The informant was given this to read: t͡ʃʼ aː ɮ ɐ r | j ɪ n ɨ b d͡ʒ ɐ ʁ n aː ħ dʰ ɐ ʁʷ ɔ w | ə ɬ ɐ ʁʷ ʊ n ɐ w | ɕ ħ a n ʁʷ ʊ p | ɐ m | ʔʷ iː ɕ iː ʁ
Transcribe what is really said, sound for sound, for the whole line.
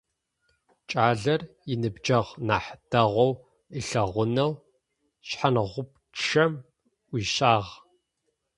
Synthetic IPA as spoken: t͡ʃʼ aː ɮ ɐ r | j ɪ n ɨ b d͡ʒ ɐ ʁ n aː ħ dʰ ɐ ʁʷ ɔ w | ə ɬ ɐ ʁʷ ʊ n ɐ w | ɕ ħ a n ʁʷ ʊ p | ɐ m | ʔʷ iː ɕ aː ʁ